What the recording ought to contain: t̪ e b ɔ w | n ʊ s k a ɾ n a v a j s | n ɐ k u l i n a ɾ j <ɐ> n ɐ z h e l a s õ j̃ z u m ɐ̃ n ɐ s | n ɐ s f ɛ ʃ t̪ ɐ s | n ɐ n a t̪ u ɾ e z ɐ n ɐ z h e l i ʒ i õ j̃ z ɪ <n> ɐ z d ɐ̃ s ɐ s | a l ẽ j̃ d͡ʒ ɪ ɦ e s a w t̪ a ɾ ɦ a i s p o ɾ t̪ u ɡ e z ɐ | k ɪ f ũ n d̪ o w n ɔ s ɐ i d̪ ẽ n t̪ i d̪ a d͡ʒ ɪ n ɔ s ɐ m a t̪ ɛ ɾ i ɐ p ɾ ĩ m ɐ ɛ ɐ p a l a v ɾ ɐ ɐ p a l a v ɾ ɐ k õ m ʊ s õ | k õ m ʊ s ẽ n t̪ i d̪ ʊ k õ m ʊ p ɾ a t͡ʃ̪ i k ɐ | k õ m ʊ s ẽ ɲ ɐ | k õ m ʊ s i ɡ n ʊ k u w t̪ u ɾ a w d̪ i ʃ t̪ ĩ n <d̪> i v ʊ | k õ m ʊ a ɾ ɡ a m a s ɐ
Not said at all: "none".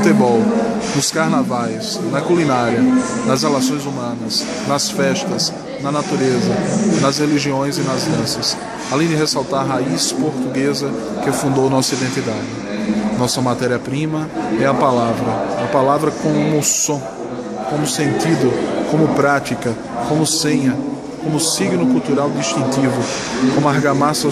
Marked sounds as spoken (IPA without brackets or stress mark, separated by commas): ɐ, n, t̪